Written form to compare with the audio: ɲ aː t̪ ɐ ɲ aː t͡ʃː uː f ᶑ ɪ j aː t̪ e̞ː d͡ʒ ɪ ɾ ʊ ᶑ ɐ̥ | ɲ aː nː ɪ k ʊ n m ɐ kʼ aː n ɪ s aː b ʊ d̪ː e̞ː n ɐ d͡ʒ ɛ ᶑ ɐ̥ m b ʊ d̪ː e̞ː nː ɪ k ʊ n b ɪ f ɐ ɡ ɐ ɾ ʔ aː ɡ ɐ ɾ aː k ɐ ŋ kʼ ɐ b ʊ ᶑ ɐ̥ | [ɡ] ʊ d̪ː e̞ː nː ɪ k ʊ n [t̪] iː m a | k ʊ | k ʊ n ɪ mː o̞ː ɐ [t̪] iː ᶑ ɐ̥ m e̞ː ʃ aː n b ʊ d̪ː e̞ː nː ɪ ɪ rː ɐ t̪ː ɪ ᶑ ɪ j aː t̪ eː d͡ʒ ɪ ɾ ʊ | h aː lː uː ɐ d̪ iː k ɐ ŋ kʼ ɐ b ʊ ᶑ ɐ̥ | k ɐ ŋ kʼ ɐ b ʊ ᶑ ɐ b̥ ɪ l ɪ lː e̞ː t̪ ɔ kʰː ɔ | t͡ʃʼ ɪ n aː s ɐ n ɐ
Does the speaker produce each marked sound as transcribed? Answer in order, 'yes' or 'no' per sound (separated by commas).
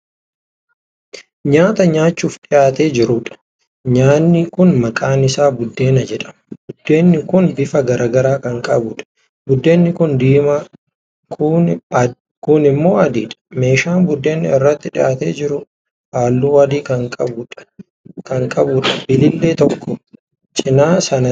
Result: no, no, no